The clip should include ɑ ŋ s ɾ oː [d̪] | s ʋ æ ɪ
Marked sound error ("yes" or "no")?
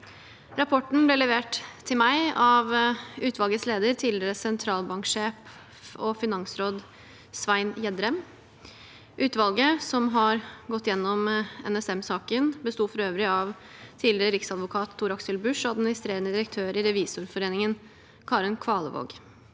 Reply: no